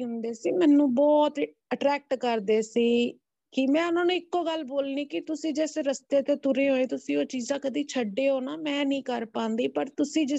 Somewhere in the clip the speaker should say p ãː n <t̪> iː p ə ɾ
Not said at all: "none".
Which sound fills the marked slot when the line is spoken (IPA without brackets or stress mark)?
d̪